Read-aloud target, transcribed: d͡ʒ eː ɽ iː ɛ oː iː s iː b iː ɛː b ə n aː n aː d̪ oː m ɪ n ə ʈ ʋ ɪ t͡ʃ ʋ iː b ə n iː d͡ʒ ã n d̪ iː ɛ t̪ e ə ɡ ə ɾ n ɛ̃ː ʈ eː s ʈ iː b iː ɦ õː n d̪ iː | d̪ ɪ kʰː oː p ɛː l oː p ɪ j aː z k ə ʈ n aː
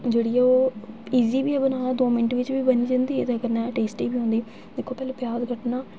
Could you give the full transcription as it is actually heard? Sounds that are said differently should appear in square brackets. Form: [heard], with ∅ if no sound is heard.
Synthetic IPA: d͡ʒ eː ɽ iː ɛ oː iː [z] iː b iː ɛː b ə n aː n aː d̪ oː m ɪ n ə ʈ ʋ ɪ t͡ʃ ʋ iː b ə n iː d͡ʒ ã n d̪ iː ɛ t̪ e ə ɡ ə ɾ n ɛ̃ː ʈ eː s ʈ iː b iː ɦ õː n d̪ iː | d̪ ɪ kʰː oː p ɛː l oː p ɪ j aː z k ə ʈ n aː